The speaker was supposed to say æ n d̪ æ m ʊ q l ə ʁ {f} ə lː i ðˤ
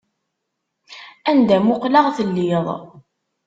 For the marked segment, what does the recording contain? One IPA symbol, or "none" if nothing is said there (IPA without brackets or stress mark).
θ